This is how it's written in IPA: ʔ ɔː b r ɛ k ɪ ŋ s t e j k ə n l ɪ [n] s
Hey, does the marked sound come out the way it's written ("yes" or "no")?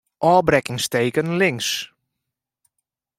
no